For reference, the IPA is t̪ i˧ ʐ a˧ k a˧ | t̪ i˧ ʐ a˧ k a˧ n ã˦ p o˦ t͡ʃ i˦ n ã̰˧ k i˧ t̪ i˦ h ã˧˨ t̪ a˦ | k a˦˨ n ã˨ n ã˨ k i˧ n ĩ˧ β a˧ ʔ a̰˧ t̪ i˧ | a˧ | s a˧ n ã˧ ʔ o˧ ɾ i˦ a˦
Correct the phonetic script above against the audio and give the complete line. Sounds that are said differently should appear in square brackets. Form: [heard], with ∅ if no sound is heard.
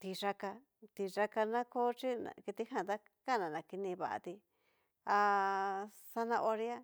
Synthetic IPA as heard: t̪ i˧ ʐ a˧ k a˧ | t̪ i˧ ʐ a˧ k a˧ n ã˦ [k] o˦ t͡ʃ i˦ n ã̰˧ k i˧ t̪ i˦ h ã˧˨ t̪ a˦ | k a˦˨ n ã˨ n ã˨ k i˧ n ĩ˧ β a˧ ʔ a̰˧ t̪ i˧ | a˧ | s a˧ n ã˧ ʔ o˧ ɾ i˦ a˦

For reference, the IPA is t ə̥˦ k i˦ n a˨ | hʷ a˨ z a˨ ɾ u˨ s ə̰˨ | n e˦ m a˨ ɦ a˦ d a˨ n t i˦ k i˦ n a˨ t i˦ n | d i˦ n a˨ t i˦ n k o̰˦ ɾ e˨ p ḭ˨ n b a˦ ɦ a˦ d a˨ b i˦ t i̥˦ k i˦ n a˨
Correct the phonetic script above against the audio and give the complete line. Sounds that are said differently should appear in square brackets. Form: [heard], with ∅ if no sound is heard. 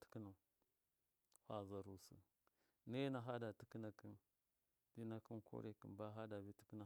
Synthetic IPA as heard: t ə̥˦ k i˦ n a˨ | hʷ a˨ z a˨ ɾ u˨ s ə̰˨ | n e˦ [n] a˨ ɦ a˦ d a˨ [∅] t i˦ k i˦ n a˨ [k] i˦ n | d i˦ n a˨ [k] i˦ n k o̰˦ ɾ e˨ [k] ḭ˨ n b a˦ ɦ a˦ d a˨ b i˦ t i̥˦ k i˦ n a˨

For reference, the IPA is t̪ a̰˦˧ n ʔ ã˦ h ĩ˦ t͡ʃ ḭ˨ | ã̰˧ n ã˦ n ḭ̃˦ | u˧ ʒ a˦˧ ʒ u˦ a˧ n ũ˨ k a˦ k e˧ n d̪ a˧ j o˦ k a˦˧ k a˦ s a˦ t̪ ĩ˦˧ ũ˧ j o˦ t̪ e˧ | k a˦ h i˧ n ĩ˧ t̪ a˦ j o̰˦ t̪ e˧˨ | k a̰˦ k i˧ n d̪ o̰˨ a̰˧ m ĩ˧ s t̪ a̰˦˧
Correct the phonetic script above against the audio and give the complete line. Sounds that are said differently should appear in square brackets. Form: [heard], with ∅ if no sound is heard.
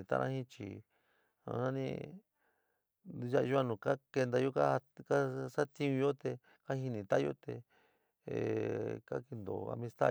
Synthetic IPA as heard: t̪ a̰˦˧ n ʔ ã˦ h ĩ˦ t͡ʃ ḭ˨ | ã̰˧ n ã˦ n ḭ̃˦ | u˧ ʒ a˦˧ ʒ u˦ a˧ n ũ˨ k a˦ k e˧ n d̪ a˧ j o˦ k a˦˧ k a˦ s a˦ t̪ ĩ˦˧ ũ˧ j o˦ t̪ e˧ | k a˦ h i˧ n ĩ˧ t̪ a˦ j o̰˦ t̪ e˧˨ | k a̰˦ k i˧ n d̪ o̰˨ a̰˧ m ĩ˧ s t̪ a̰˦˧

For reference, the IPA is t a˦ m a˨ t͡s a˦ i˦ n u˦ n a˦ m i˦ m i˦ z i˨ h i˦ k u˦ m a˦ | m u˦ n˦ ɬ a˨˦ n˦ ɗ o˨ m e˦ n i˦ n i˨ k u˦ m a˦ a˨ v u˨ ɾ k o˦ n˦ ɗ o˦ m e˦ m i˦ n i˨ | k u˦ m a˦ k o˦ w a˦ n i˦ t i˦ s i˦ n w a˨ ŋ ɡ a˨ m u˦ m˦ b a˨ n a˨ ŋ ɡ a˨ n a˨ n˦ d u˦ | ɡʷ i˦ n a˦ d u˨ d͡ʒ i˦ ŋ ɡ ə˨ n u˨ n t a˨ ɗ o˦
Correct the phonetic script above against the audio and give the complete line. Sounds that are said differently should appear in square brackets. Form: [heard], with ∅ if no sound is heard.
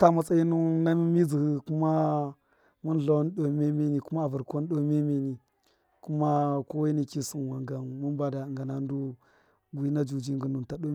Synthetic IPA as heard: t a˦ m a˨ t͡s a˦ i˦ n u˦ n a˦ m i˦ m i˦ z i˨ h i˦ k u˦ m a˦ | m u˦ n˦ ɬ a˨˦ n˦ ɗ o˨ m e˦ [m] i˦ n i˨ k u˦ m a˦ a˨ v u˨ ɾ k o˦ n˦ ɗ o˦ m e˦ m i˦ n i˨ | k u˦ m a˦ k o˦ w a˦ n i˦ [k] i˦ s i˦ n w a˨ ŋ ɡ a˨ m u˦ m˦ b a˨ [d] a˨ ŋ ɡ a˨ n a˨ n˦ d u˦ | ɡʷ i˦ n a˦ [d͡ʒ] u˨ d͡ʒ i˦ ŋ ɡ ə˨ n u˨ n t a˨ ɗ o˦

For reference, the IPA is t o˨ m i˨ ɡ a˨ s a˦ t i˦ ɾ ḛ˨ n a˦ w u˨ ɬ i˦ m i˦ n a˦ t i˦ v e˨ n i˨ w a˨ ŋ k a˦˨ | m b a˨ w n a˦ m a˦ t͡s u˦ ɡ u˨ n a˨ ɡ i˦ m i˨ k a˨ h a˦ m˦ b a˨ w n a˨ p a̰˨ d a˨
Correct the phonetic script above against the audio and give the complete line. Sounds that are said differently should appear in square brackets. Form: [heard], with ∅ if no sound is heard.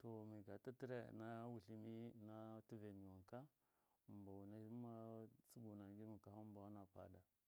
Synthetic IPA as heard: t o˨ m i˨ ɡ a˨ [t] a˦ t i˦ ɾ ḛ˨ n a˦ w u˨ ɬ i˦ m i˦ n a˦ t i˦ v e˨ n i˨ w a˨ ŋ k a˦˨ | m b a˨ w n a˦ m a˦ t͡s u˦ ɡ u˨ n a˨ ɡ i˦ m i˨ k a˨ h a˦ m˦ b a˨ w n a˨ p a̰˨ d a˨

